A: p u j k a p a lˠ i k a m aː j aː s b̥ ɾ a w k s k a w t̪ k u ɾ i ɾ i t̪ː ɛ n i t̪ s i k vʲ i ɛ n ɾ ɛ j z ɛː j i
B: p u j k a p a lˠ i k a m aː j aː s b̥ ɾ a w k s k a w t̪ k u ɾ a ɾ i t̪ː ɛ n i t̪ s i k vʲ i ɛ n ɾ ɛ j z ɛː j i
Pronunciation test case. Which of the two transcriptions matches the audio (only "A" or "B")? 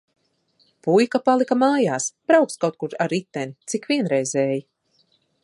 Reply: B